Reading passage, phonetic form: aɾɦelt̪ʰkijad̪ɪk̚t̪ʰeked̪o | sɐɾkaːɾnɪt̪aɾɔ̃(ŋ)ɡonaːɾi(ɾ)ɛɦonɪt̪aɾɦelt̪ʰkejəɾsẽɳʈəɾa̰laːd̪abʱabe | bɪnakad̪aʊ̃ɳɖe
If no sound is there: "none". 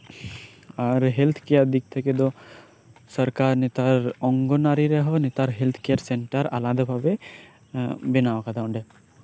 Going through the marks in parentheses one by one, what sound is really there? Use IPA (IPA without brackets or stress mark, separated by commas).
ŋ, ɾ